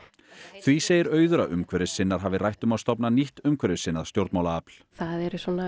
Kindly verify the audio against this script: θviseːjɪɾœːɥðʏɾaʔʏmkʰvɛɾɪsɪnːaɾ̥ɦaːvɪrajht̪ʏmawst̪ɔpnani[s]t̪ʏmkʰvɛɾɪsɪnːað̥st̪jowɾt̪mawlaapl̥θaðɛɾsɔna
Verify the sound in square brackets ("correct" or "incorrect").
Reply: incorrect